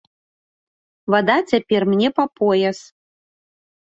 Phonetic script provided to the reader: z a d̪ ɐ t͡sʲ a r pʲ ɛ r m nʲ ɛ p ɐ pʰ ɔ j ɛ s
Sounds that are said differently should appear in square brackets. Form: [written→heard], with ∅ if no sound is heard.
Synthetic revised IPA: [z→v] a d̪ [ɐ→a] t͡sʲ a [r→∅] pʲ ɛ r m nʲ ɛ p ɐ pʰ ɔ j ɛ s